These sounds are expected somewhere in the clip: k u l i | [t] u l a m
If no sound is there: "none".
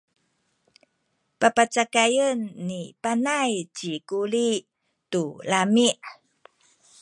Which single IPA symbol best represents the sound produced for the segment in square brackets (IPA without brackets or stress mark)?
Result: t